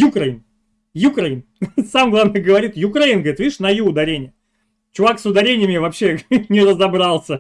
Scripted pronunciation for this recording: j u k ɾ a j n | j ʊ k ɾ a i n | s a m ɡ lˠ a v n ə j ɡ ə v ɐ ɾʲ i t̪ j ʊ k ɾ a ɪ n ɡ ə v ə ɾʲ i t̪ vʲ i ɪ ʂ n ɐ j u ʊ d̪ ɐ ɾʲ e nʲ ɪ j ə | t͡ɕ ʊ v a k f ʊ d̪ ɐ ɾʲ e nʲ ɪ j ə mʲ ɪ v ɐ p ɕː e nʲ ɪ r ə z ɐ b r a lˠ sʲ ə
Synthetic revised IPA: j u k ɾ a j n | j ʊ k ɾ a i n | s a m ɡ lˠ a v n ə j ɡ ə v ɐ ɾʲ i t̪ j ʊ k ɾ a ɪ n ɡ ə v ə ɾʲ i t̪ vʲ i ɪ ʂ n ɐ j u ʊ d̪ ɐ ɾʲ e nʲ ɪ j ə | t͡ɕ ʊ v a k s ʊ d̪ ɐ ɾʲ e nʲ ɪ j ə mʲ ɪ v ɐ p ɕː e nʲ ɪ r ə z ɐ b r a lˠ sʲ ə